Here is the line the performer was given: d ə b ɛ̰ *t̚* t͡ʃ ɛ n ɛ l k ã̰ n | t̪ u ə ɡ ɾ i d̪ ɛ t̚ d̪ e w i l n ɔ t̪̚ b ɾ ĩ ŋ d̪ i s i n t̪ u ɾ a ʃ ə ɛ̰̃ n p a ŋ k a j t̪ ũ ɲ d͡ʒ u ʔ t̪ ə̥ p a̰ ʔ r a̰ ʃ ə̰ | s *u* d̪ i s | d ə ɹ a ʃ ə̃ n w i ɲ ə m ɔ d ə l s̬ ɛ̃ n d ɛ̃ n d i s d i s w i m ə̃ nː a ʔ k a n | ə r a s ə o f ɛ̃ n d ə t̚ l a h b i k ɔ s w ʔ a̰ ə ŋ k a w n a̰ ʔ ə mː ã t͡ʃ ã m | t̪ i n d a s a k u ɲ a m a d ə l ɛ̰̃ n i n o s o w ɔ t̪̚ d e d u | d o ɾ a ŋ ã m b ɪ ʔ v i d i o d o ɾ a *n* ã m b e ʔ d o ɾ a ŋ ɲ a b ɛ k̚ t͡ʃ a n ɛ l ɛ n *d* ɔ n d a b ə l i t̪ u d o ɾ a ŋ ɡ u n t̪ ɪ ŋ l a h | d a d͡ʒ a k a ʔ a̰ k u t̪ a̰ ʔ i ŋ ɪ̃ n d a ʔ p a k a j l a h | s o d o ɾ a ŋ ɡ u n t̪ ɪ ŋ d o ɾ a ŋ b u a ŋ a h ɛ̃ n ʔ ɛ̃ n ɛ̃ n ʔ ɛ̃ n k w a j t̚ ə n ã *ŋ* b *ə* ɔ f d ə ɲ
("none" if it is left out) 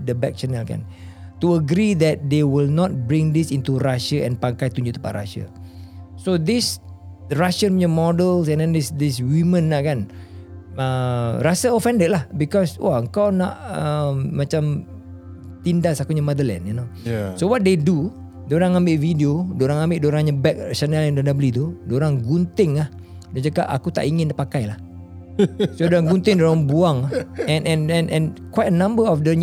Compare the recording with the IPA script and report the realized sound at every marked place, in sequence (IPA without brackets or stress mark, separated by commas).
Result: k̚, o, ŋ, d, m, ə